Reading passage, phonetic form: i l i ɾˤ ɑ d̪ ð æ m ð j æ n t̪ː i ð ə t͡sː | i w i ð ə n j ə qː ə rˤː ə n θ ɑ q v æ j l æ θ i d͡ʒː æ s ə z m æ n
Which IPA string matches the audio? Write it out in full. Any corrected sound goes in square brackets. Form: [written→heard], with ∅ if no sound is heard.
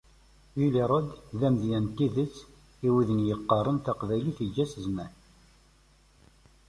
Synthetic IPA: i l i ɾˤ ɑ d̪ ð æ m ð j æ n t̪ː i ð ə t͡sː | i w i ð ə n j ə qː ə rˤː ə n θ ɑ q v æ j l [æ→i] θ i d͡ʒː æ s ə z m æ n